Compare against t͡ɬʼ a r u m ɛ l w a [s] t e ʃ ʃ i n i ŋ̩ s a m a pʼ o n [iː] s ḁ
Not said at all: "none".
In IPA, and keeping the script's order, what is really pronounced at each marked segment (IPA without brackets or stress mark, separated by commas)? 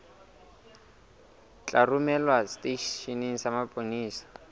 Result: s, iː